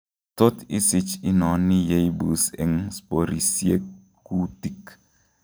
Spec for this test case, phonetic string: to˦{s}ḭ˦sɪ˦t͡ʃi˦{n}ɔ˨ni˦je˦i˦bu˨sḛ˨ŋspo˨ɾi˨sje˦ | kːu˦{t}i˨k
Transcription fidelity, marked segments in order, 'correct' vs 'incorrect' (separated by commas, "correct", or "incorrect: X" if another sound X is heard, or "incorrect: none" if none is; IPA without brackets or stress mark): incorrect: t, correct, correct